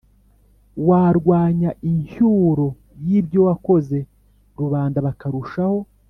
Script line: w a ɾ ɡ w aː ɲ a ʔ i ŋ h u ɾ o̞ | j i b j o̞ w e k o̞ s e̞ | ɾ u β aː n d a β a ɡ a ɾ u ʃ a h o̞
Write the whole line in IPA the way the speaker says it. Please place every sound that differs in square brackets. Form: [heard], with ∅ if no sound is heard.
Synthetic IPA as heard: w a ɾ ɡ w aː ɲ a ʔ i [ɲ] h u ɾ o̞ | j i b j o̞ w [a] k o̞ [z] e̞ | ɾ u β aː n d a β a [k] a ɾ u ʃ a h o̞